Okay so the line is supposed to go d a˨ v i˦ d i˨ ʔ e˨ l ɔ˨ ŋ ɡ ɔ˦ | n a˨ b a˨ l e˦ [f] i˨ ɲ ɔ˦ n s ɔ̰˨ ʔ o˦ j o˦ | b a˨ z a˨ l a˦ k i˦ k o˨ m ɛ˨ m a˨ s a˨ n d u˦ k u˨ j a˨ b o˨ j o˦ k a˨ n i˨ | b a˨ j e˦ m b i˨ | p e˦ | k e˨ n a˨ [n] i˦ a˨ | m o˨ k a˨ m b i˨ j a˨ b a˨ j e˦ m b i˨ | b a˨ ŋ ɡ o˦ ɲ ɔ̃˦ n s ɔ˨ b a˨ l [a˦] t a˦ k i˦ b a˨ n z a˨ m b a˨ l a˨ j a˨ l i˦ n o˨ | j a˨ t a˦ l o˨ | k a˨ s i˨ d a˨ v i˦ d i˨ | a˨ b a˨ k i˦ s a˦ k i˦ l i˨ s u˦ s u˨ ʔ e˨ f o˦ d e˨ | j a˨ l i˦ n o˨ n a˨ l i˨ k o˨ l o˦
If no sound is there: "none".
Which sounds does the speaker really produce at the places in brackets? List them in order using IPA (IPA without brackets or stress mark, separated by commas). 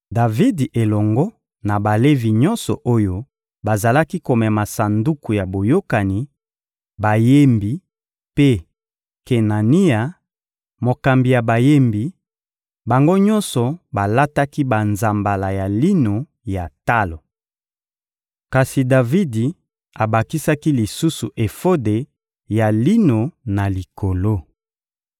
v, n, a˦